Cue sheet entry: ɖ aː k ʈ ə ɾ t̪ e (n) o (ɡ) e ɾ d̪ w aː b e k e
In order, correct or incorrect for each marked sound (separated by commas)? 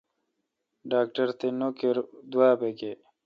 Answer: correct, incorrect